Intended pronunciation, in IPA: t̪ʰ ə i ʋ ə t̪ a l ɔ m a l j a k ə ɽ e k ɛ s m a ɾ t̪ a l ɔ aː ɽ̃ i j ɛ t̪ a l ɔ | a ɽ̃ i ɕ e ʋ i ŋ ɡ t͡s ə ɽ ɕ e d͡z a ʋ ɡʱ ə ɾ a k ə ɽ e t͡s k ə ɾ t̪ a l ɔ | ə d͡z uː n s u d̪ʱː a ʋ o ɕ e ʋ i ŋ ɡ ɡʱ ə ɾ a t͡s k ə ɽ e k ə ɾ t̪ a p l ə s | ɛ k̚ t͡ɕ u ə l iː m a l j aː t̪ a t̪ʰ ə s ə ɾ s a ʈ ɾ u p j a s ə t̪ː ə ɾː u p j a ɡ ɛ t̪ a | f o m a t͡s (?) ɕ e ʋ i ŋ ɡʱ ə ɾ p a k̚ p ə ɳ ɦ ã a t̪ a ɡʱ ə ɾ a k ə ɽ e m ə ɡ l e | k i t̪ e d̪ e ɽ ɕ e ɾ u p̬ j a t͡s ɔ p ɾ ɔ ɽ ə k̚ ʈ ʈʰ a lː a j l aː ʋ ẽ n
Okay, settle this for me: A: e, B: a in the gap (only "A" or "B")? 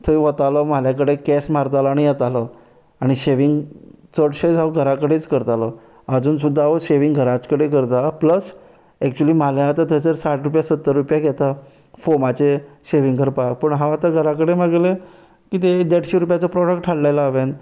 A